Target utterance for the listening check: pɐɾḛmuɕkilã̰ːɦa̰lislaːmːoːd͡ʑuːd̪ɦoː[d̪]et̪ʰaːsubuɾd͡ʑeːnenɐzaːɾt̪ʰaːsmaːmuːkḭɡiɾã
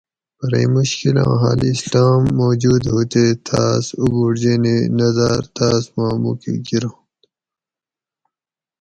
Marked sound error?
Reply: yes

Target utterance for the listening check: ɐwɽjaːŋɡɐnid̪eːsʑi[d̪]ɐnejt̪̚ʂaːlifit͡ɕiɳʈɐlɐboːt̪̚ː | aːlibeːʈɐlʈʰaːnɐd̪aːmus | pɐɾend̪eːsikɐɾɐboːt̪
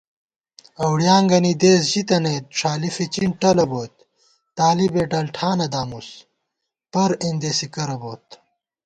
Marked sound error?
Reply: yes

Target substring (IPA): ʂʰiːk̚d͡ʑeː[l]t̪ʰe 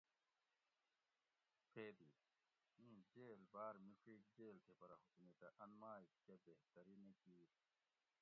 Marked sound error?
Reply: no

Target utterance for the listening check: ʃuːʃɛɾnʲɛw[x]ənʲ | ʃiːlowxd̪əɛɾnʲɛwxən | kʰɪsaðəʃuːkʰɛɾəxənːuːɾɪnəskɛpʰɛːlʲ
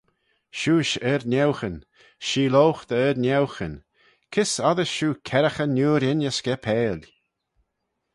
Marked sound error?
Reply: no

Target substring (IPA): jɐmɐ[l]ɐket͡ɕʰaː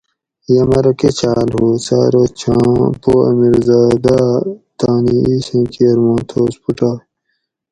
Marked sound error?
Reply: yes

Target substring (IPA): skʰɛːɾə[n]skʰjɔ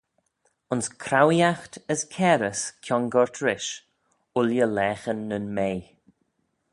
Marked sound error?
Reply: yes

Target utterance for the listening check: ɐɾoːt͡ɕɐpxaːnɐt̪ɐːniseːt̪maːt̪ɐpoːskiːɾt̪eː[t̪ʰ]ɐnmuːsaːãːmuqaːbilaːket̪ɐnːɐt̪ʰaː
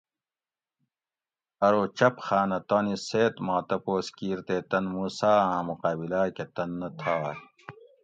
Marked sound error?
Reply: yes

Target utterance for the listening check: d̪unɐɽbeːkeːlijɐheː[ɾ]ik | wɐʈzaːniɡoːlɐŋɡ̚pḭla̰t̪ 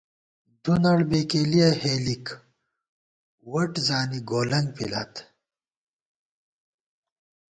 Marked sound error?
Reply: yes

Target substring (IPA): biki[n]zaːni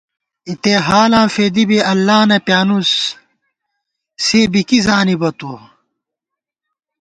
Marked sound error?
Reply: yes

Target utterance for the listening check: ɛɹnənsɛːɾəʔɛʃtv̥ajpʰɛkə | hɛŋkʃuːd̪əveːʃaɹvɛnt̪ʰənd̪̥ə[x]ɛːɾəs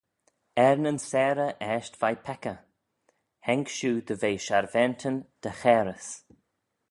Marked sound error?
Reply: no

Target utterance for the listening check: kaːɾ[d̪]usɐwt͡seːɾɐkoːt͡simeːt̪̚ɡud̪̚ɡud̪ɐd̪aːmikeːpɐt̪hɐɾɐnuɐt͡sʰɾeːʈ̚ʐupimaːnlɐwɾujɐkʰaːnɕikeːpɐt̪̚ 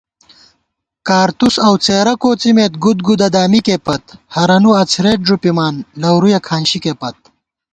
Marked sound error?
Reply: yes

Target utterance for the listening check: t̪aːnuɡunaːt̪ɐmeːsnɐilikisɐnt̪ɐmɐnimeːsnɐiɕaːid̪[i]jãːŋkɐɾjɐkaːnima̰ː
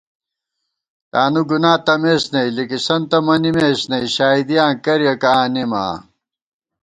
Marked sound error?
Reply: no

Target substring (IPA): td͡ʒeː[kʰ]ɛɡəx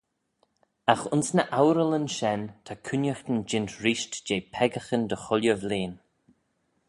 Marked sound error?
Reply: yes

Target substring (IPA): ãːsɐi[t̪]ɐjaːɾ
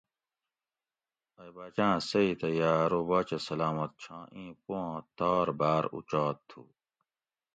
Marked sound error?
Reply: no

